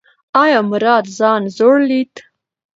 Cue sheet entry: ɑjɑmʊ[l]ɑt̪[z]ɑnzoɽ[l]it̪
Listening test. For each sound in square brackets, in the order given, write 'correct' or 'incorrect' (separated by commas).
incorrect, correct, correct